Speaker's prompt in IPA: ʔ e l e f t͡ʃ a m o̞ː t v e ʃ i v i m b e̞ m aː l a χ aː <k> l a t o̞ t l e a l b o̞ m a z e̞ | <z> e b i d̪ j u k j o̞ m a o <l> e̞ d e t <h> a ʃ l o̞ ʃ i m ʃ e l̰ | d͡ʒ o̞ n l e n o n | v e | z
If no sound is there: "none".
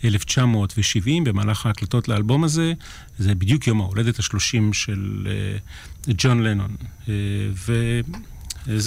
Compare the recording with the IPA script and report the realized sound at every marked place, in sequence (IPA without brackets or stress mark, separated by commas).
k, z, l, h